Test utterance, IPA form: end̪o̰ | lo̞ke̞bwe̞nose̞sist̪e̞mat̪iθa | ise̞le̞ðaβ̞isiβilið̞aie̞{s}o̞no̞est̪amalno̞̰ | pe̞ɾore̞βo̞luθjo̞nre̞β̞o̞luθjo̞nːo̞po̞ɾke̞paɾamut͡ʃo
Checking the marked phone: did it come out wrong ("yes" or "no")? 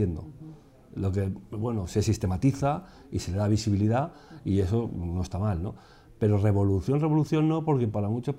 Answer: no